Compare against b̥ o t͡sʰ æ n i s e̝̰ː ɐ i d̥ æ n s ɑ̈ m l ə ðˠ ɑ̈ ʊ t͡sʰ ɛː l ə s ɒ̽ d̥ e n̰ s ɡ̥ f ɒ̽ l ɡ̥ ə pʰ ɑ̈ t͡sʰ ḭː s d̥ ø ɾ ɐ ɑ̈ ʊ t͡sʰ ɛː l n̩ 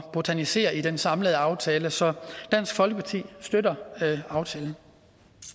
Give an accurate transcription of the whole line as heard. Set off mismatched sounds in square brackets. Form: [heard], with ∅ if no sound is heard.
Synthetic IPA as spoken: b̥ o t͡sʰ æ n i s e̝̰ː ɐ i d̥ [e] n s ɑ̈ m l ə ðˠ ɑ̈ ʊ t͡sʰ ɛː l ə s ɒ̽ d̥ [æ] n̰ s ɡ̥ f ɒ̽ l ɡ̥ ə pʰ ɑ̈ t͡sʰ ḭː s d̥ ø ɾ ɐ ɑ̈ ʊ t͡sʰ ɛː l n̩